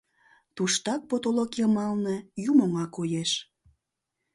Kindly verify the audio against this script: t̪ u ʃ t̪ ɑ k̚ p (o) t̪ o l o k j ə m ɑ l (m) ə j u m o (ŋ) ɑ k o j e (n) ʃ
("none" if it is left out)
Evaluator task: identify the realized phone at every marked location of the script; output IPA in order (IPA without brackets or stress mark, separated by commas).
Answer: o, n, ŋ, none